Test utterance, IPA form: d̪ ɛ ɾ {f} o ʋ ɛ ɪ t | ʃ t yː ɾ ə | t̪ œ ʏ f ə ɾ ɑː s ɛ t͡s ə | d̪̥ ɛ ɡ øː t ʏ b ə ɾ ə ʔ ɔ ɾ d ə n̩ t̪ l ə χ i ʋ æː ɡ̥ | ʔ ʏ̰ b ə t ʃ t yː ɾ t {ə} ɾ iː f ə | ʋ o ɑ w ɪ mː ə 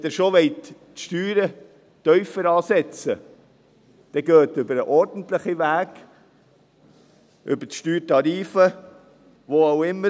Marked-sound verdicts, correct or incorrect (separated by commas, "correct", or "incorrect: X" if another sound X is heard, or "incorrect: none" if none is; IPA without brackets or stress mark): incorrect: ʃ, incorrect: ɑ